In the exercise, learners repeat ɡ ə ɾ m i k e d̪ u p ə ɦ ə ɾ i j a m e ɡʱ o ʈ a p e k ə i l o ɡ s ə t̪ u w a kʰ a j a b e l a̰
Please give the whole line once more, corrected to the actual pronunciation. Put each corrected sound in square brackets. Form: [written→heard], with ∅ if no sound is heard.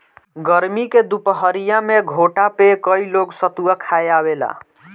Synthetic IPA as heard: ɡ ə ɾ m i k e d̪ u p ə ɦ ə ɾ i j a m e ɡʱ o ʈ a p e k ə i l o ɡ s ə t̪ u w a kʰ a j a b e l a̰

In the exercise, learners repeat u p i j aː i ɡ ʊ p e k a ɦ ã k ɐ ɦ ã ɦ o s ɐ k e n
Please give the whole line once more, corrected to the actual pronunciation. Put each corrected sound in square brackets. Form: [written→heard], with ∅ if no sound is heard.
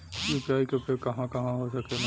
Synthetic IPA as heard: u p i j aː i [ɡ→k] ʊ p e k [a→ɐ] ɦ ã k ɐ ɦ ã ɦ o s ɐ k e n

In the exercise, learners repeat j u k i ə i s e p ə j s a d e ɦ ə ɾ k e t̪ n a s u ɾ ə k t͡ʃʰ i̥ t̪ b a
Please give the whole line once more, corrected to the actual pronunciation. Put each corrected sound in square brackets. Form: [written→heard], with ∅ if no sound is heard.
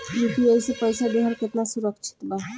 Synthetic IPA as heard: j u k i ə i s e p ə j s a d e ɦ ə ɾ k e t̪ n a s u ɾ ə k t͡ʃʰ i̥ t̪ b a

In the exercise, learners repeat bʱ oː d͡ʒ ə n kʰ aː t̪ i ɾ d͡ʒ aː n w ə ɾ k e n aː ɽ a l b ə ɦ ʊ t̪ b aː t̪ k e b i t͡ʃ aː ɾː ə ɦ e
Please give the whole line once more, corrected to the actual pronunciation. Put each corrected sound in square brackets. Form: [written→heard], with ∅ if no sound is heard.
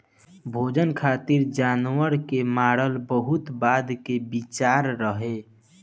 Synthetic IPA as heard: bʱ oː d͡ʒ ə n kʰ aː t̪ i ɾ d͡ʒ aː n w ə ɾ k e [n→m] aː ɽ [a→ə] l b ə ɦ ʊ t̪ b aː [t̪→d̪] k e b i t͡ʃ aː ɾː ə ɦ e

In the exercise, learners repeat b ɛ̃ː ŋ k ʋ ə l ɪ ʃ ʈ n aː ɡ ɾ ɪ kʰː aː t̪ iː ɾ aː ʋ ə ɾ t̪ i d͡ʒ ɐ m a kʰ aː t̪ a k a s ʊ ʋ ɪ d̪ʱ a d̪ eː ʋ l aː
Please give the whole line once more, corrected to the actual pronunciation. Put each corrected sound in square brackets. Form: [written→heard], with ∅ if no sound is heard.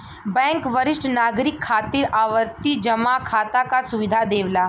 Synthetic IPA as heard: b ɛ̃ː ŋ k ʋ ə [l→ɾ] ɪ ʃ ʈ n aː ɡ ɾ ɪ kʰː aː t̪ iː ɾ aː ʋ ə ɾ t̪ i d͡ʒ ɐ m a kʰ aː t̪ a k a s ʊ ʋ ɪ d̪ʱ a d̪ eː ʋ l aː

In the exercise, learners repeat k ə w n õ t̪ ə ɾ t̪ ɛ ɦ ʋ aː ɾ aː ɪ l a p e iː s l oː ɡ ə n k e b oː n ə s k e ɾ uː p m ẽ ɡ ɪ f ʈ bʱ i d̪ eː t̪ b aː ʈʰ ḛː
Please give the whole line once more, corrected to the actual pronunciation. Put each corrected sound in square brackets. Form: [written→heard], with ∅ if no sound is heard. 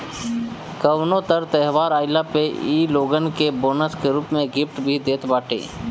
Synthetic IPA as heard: k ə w n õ t̪ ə ɾ t̪ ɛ ɦ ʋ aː ɾ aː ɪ l a p e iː [s→∅] l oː ɡ ə n k e b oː n ə s k e ɾ uː p m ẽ ɡ ɪ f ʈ bʱ i d̪ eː t̪ b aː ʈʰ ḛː

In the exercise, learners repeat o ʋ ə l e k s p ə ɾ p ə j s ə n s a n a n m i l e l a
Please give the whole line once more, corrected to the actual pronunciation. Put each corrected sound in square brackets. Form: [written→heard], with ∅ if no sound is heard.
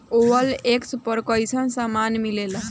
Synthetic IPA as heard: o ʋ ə l e k s p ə ɾ [p→k] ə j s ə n s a [n→m] a n m i l e l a

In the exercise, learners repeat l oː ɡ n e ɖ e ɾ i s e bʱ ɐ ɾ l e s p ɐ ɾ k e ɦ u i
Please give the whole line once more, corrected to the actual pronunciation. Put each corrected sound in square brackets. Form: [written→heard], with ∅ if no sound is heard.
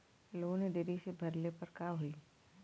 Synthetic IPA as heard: l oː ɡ n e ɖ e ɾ i s e bʱ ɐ ɾ l e [s→∅] p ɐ ɾ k [e→a] ɦ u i

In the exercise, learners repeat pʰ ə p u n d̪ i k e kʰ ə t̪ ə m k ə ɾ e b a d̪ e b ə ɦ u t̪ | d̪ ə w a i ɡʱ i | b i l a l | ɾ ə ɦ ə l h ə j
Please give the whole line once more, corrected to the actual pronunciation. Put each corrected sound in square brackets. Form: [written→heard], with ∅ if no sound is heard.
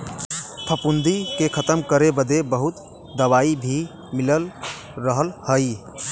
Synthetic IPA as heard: pʰ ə p u n d̪ i k e kʰ ə t̪ ə m k ə ɾ e b [a→ə] d̪ e b ə ɦ u t̪ | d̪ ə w a i [ɡʱ→bʱ] i | [b→m] i l [a→ə] l | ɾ ə ɦ ə l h ə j

